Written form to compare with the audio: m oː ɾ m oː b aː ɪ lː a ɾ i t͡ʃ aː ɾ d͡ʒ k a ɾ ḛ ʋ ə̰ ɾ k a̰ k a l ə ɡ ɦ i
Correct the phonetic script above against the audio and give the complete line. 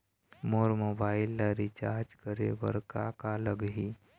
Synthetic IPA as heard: m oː ɾ m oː b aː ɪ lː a ɾ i t͡ʃ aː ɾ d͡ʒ k ə ɾ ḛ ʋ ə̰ ɾ k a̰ k a l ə ɡ ɦ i